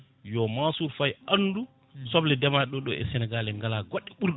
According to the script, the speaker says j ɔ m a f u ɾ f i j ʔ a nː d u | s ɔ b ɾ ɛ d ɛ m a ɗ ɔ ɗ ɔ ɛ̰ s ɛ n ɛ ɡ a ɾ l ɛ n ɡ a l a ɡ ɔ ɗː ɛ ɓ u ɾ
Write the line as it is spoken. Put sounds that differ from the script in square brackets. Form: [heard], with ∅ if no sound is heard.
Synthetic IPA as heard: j ɔ m a [s] u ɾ f [a] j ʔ a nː d u | s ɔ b [l] ɛ d ɛ m a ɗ ɔ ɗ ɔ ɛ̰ s ɛ n ɛ ɡ a [∅] l ɛ [ŋ] ɡ a l a ɡ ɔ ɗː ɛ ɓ u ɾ